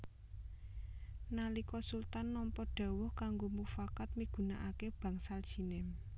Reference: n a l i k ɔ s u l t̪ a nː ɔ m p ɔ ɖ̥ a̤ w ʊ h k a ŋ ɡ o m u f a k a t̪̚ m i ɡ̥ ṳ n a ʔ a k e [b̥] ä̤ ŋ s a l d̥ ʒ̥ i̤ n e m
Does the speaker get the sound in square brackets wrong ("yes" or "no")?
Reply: no